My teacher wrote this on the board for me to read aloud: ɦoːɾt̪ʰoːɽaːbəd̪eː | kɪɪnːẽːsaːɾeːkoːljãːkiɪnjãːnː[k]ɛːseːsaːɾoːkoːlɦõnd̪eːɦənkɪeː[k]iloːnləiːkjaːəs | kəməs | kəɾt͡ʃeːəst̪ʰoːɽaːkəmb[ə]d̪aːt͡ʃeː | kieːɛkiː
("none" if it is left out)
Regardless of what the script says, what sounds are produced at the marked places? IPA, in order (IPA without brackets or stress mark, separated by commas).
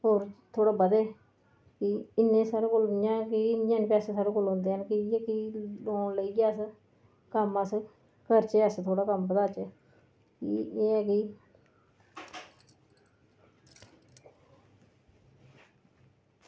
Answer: p, k, ə